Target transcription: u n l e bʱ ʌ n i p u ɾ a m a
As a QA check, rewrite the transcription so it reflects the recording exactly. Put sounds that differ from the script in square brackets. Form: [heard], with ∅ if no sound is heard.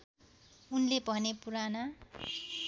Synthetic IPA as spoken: u n l e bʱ ʌ n [e] p u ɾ a [n] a